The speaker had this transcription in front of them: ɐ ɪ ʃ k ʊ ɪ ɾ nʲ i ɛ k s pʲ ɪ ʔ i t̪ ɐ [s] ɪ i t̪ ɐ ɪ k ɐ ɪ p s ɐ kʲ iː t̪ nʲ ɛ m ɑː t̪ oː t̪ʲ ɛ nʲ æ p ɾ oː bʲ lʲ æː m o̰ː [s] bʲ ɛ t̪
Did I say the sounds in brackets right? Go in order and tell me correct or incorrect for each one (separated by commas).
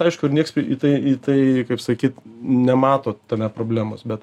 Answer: incorrect, correct